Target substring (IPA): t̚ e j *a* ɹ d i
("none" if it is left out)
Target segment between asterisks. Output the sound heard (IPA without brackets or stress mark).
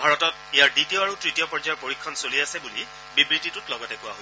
a